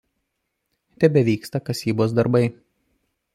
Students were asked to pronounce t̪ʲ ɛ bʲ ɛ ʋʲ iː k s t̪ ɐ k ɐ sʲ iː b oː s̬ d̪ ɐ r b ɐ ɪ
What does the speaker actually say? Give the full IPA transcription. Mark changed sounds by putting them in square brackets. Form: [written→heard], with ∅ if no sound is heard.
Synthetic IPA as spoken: t̪ʲ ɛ bʲ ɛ ʋʲ iː k s t̪ ɐ k ɐ sʲ iː b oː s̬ d̪ ɐ [r→ɾ] b ɐ ɪ